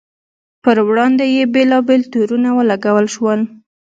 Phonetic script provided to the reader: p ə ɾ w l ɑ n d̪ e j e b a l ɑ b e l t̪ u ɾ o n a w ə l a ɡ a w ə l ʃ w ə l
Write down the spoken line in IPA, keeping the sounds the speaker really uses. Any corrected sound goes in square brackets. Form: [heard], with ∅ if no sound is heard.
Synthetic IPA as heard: p ə ɾ w [ɽ] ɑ n d̪ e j e b [e] l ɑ b e l t̪ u ɾ [u] n a w ə l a ɡ a w ə l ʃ w ə l